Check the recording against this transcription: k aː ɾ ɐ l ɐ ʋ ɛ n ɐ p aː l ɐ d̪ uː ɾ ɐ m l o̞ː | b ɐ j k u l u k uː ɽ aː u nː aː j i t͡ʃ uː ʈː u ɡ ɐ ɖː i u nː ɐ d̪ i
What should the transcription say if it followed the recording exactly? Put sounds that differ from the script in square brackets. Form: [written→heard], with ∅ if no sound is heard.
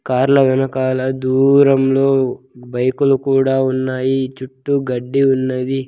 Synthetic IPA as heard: k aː ɾ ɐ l ɐ ʋ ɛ n ɐ [p→k] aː l ɐ d̪ uː ɾ ɐ m l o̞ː | b ɐ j k u l u k uː ɽ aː u nː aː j i t͡ʃ [uː→u] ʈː u ɡ ɐ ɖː i u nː ɐ d̪ i

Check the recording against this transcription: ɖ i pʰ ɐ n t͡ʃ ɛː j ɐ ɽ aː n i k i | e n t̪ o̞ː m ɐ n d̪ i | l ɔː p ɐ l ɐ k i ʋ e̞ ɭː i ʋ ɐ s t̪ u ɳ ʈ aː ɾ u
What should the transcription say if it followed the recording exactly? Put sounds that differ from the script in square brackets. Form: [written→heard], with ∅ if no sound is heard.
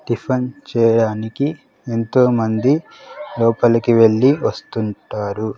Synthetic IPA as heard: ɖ i pʰ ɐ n t͡ʃ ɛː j ɐ ɽ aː n i k i | e n t̪ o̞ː m ɐ n d̪ i | l ɔː p ɐ l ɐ k i ʋ e̞ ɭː i ʋ ɐ s t̪ u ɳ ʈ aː ɾ u

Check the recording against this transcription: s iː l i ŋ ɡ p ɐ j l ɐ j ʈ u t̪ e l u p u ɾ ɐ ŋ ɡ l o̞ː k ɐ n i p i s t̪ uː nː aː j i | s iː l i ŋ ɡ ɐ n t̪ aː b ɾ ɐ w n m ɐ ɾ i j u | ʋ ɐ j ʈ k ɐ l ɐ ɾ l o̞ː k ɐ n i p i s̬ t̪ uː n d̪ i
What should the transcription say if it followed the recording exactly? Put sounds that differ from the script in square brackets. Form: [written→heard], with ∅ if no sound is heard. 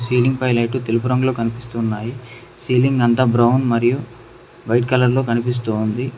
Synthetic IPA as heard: s iː l i ŋ ɡ p ɐ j l ɐ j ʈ u t̪ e l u p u ɾ ɐ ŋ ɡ l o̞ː k ɐ n i p i s t̪ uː nː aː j i | s iː l i ŋ ɡ ɐ n t̪ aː b ɾ ɐ w n m ɐ ɾ i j u | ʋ ɐ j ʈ k ɐ l ɐ ɾ l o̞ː k ɐ n i p i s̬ t̪ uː n d̪ i

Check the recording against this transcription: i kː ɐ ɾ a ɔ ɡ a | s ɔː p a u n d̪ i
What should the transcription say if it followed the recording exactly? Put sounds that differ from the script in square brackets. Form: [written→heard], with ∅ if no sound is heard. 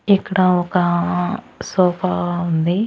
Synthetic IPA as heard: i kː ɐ [ɾ→ɽ] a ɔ [ɡ→k] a | s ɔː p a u n d̪ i

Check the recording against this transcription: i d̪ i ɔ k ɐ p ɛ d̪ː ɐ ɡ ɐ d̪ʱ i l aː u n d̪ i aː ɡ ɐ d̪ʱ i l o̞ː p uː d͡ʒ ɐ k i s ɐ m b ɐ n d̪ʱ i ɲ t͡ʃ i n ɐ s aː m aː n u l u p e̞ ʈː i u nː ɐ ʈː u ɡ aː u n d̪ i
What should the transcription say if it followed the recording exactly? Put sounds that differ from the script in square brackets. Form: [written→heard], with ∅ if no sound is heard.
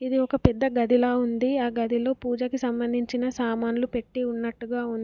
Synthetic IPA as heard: i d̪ i ɔ k ɐ p ɛ d̪ː ɐ ɡ ɐ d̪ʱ i l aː u n d̪ i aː ɡ ɐ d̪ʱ i l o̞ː p uː d͡ʒ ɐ k i s ɐ m b ɐ n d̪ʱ i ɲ t͡ʃ i n ɐ s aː m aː n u l u p e̞ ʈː i u nː ɐ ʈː u ɡ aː u n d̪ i

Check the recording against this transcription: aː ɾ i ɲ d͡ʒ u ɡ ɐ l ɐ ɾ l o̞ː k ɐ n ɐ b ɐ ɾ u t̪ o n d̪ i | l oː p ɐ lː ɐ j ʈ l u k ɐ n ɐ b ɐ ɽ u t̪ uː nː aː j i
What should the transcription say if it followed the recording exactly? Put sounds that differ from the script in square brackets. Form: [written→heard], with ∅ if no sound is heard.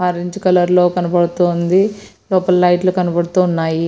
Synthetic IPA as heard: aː ɾ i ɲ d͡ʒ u [ɡ→k] ɐ l ɐ ɾ l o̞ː k ɐ n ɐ b ɐ [ɾ→ɽ] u t̪ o n d̪ i | l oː p ɐ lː ɐ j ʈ l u k ɐ n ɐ b ɐ ɽ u t̪ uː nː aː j i

